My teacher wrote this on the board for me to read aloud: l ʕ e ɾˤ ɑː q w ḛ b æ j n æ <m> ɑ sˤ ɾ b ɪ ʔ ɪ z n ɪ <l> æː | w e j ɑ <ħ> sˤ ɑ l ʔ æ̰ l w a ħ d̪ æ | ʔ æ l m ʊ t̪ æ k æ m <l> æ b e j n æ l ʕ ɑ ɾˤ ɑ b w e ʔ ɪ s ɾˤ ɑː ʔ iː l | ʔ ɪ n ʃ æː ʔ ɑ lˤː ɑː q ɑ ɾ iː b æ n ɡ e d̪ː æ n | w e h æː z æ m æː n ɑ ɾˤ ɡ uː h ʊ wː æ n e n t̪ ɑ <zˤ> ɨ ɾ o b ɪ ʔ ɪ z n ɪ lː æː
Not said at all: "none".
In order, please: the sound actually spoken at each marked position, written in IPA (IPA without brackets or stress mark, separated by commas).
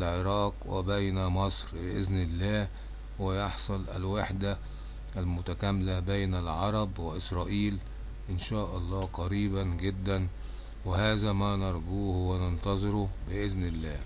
m, lː, ħ, l, zˤ